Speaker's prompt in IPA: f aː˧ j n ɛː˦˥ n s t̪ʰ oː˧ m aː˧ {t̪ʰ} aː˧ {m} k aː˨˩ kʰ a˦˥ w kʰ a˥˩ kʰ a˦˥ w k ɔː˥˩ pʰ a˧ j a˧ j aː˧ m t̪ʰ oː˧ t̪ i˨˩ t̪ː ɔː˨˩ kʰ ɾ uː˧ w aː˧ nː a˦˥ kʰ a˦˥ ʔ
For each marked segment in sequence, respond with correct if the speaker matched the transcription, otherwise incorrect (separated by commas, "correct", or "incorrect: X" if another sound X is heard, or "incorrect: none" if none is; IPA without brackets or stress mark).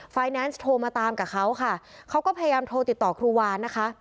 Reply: incorrect: t̪, correct